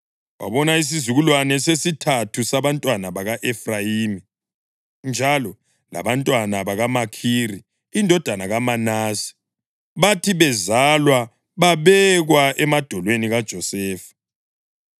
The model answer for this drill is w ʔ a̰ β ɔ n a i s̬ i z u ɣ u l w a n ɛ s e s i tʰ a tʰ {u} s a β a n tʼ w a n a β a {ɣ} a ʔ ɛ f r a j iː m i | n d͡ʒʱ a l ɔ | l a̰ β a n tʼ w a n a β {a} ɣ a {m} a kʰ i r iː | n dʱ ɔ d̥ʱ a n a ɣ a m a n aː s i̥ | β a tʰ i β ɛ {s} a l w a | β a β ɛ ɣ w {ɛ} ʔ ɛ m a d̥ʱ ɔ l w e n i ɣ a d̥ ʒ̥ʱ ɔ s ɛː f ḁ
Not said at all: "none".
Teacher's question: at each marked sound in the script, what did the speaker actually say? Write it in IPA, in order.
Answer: u, ɣ, a, m, z, a

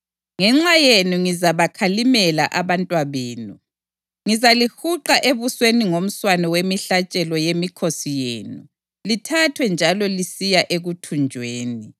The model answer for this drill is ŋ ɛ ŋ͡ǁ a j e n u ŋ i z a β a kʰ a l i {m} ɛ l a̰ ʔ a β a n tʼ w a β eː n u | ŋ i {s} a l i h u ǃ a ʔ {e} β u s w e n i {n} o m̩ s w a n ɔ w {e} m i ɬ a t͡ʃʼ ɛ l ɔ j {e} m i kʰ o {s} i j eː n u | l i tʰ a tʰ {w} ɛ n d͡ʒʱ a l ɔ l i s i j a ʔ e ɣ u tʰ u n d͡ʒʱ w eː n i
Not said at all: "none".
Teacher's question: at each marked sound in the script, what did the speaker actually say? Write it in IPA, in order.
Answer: m, z, e, ŋ, e, e, s, w

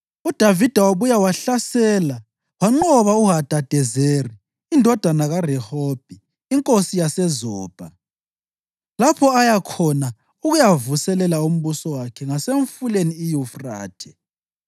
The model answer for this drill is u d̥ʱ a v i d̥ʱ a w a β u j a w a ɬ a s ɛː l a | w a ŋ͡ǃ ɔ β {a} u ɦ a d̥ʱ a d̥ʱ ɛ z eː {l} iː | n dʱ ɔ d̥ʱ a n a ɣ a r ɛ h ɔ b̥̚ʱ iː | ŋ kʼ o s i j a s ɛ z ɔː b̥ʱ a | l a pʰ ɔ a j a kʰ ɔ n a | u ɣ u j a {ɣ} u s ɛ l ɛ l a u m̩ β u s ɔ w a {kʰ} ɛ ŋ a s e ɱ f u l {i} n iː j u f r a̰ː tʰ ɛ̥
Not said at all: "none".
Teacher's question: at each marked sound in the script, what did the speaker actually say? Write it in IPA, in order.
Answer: a, r, v, kʰ, e

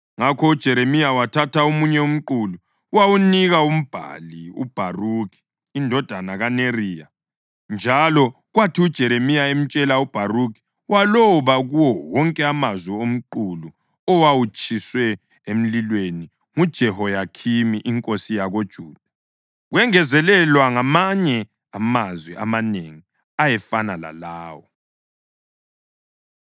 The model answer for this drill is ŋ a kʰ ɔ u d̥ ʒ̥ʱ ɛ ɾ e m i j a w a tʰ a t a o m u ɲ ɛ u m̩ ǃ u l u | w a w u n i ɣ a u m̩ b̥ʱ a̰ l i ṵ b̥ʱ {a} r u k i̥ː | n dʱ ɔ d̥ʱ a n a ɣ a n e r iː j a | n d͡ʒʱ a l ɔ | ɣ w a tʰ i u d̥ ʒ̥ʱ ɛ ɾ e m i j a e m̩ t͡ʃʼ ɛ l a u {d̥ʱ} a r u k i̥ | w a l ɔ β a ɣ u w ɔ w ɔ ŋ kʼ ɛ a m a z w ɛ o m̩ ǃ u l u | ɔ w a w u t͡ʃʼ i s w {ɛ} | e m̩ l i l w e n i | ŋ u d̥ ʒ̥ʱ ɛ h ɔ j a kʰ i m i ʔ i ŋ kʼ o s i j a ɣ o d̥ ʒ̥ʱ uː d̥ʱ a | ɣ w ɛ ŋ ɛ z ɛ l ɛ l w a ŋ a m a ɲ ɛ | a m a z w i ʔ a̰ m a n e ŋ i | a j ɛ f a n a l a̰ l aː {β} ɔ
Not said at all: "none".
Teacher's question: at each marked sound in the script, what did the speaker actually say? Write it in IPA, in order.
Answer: a, b̥ʱ, ɛ, w

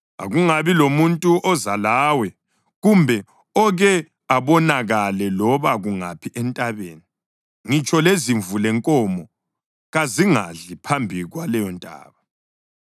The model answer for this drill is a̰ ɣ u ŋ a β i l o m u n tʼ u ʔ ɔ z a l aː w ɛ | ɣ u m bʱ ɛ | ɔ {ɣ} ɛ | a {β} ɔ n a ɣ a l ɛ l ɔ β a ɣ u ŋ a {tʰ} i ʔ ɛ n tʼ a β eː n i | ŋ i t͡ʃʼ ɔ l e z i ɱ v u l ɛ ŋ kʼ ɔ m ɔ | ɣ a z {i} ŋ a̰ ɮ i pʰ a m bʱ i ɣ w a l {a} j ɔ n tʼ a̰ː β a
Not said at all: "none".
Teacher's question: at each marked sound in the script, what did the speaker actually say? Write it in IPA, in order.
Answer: ɣ, β, pʰ, i, ɛ

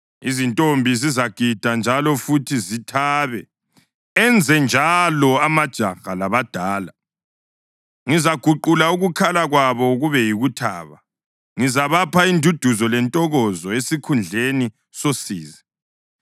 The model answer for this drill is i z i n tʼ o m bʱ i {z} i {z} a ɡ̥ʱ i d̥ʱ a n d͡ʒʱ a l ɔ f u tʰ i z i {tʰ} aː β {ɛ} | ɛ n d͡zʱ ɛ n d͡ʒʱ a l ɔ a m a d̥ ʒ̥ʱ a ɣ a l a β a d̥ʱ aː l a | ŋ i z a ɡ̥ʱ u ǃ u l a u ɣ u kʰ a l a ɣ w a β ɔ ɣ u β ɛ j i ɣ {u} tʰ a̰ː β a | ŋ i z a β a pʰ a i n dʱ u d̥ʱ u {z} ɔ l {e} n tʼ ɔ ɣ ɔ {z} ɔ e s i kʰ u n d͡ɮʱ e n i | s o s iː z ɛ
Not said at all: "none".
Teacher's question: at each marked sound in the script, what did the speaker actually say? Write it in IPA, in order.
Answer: z, z, tʰ, ɛ, u, z, ɛ, z

